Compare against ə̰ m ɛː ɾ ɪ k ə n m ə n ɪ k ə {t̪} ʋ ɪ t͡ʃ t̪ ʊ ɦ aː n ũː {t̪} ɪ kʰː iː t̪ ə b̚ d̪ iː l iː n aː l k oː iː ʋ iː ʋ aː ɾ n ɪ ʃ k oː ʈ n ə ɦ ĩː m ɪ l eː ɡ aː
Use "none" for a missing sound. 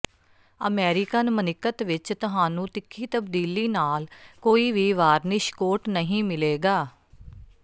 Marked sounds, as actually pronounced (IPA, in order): t̪, t̪

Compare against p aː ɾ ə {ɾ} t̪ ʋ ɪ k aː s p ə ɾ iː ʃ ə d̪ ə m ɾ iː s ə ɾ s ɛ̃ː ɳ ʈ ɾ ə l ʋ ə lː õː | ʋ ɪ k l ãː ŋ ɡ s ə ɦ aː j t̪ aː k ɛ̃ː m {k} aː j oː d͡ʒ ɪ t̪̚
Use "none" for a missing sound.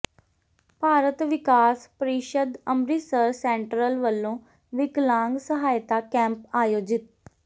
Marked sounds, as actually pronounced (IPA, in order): none, p

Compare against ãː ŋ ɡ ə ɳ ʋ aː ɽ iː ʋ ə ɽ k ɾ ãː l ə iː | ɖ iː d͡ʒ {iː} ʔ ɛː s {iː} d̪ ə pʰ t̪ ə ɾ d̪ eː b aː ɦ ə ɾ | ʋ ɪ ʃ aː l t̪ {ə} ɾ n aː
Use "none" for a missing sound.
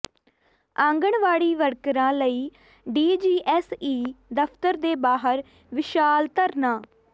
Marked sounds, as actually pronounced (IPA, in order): iː, iː, ə

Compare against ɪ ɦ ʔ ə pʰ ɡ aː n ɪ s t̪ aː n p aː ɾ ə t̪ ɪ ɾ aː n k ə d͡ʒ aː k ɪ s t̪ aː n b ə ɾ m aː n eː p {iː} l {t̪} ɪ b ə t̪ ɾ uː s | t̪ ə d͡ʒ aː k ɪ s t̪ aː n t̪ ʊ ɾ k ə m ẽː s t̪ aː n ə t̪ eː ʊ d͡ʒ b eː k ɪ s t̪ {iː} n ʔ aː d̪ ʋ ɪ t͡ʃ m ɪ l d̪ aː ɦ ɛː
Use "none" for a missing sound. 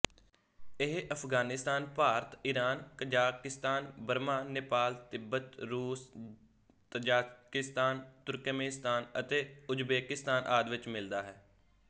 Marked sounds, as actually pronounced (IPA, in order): aː, t̪, aː

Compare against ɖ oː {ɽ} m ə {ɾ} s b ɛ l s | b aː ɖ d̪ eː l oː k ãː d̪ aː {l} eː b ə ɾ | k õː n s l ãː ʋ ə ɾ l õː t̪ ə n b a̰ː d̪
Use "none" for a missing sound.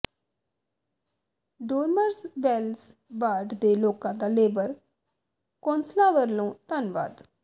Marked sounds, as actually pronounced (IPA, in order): ɾ, ɾ, l

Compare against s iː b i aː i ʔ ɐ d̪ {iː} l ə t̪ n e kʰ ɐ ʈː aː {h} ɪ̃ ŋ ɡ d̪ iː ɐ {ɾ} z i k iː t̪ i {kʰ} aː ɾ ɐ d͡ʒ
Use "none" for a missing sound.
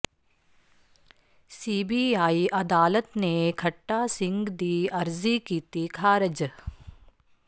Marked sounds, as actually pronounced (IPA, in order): aː, s, ɾ, kʰ

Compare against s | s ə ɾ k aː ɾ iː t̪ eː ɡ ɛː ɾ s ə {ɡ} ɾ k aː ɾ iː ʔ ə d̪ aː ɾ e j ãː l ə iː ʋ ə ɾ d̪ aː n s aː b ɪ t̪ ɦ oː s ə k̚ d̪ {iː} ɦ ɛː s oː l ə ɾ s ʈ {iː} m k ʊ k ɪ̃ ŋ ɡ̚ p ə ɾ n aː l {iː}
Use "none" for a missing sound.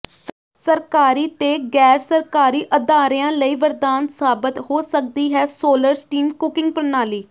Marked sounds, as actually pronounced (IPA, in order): none, iː, iː, iː

